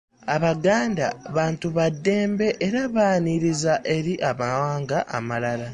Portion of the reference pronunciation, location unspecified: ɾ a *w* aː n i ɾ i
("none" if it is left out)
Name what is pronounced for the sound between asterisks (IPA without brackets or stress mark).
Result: β